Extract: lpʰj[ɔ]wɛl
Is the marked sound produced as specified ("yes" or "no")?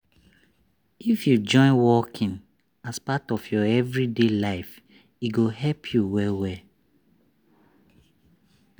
no